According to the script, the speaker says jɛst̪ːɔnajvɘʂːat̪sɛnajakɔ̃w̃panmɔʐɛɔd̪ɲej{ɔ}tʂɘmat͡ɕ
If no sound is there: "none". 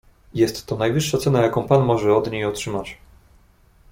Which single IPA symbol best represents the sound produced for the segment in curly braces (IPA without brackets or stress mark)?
ɔ